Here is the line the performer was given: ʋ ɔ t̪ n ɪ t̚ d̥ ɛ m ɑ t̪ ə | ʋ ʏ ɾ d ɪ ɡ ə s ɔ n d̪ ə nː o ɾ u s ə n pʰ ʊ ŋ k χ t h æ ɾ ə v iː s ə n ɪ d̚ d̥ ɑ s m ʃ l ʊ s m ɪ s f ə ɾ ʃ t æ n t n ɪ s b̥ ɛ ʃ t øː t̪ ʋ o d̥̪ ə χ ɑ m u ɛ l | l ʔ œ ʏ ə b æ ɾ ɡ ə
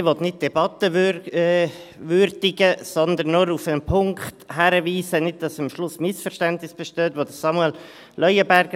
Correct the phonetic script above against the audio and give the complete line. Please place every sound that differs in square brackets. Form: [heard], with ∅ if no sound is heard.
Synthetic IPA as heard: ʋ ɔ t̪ n ɪ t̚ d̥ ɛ [b] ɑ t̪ ə | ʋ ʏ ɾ d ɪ ɡ ə s ɔ n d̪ ə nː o ɾ u [f] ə n pʰ ʊ ŋ k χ t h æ ɾ ə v iː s ə n ɪ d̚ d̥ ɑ s m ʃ l ʊ s m ɪ s f ə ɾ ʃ t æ n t n ɪ s b̥ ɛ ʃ t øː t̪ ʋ o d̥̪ ə [s] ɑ m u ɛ l | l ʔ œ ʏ ə b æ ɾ ɡ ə